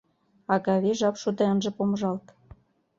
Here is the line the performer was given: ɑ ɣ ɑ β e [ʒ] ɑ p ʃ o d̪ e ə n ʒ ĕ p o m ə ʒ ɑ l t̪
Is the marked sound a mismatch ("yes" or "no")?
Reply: no